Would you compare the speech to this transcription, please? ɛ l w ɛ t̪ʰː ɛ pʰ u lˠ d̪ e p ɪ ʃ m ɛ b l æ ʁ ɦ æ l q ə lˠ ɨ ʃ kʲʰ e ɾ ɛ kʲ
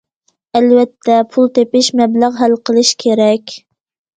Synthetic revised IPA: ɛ l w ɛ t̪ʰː ɛ pʰ u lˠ t̪ e p ɪ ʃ m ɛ b l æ ʁ ɦ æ l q ə lˠ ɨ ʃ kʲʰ e ɾ ɛ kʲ